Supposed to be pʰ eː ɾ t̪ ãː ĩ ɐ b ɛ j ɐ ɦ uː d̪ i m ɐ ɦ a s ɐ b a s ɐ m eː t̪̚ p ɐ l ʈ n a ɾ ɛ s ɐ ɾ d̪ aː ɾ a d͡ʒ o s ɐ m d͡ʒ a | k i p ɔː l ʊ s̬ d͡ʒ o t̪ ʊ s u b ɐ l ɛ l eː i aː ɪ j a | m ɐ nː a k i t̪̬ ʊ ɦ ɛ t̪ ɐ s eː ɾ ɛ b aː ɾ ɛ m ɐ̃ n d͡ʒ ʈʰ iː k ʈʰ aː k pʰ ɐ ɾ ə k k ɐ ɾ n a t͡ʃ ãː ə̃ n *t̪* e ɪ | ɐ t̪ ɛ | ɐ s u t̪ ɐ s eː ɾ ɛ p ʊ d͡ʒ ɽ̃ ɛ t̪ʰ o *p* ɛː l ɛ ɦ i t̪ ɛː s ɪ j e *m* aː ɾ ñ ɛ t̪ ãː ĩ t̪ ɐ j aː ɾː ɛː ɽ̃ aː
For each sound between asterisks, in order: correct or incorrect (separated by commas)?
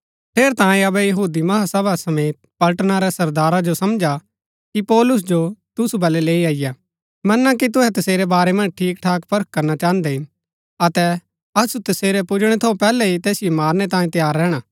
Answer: incorrect, correct, correct